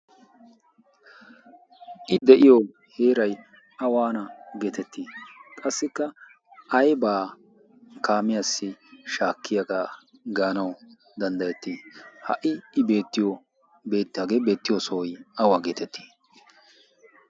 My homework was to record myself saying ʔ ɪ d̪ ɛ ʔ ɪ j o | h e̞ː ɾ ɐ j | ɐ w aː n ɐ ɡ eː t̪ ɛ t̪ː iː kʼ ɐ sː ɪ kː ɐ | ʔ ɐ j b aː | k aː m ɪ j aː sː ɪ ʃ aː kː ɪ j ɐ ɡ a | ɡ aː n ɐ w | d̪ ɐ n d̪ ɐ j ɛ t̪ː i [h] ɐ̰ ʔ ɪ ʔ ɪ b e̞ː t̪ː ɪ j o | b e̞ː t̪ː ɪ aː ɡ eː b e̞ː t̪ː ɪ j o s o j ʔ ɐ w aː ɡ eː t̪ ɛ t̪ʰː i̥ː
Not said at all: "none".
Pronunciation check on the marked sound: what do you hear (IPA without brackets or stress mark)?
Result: h